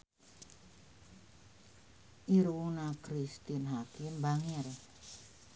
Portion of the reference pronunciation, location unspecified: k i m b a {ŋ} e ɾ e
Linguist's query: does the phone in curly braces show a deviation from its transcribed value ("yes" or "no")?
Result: no